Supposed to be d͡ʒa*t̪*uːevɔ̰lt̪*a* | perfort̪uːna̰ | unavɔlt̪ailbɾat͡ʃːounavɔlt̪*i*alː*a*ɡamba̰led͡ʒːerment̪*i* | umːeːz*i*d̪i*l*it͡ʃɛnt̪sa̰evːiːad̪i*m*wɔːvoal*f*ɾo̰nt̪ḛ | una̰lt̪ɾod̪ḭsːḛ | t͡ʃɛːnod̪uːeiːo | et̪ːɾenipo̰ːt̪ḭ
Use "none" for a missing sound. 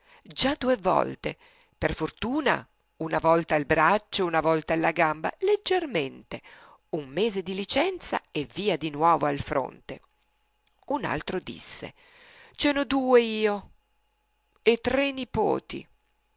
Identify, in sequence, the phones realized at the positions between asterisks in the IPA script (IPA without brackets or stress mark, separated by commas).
d̪, e, a, a, e, e, l, n, f